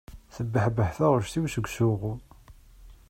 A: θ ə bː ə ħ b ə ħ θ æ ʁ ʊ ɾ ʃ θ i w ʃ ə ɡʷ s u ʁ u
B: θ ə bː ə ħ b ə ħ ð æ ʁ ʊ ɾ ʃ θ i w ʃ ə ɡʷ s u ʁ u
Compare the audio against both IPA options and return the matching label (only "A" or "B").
A